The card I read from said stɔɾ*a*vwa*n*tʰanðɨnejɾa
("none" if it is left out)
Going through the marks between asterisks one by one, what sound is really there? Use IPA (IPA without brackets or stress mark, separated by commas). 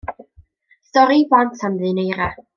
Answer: i, n